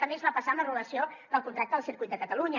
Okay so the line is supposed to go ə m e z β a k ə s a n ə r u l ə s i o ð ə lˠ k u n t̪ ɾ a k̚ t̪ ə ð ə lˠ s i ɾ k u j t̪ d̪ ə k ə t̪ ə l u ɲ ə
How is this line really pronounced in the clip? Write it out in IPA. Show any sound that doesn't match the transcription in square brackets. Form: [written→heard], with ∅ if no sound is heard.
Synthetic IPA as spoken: ə m e z β a [k→p] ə s a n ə r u l ə s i o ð ə lˠ k u n t̪ ɾ a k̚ t̪ ə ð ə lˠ s i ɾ k u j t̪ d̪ ə k ə t̪ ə l u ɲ ə